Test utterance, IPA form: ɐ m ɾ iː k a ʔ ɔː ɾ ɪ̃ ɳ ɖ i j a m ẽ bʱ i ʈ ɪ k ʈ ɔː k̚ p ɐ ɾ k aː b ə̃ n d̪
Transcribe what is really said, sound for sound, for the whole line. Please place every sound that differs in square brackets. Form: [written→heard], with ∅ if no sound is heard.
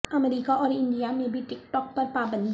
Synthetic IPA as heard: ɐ m ɾ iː k a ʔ ɔː ɾ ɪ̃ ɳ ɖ i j a m ẽ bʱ i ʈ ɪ k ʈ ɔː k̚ p ɐ ɾ [k→p] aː b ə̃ n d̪